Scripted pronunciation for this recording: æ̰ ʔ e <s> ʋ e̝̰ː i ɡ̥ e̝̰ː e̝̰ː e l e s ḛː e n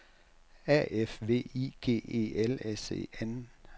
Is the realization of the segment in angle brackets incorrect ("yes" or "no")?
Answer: yes